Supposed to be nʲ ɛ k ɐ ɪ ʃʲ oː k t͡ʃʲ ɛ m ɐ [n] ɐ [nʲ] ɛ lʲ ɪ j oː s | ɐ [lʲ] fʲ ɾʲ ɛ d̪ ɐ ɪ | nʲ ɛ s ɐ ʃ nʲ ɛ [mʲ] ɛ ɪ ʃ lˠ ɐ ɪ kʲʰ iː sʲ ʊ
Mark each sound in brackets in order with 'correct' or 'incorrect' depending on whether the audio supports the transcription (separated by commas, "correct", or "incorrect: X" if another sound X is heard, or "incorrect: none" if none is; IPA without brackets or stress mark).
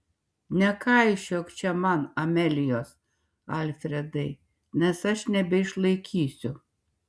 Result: correct, incorrect: mʲ, correct, incorrect: bʲ